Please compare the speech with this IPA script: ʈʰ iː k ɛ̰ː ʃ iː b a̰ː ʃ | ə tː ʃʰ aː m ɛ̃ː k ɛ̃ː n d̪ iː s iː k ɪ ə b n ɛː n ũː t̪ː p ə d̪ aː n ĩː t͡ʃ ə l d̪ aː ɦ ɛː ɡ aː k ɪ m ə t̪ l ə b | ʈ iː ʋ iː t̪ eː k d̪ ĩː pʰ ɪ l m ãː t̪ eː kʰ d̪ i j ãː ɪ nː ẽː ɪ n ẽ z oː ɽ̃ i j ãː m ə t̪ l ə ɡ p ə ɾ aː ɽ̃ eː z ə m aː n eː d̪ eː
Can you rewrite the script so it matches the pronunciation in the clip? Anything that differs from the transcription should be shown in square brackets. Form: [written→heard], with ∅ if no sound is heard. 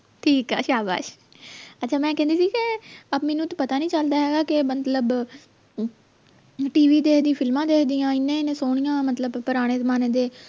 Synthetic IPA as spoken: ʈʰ iː k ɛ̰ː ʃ [iː→aː] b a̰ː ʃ | ə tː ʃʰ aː m ɛ̃ː k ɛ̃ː n d̪ iː s iː k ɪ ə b [n→m] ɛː n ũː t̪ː p ə [d̪→t̪] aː n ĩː t͡ʃ ə l d̪ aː ɦ ɛː ɡ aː k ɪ m ə t̪ l ə b | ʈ iː ʋ iː [t̪→d̪] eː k d̪ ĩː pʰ ɪ l m ãː [t̪→d̪] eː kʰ d̪ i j ãː ɪ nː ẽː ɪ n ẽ [z→s] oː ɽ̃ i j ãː m ə t̪ l ə [ɡ→b] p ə ɾ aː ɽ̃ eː z ə m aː n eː d̪ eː